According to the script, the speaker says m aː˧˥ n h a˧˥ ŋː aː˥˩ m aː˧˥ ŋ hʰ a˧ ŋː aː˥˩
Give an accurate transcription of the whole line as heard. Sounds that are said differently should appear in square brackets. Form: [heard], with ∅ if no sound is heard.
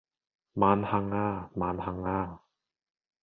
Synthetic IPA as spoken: m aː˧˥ n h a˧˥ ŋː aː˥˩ m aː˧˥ [n] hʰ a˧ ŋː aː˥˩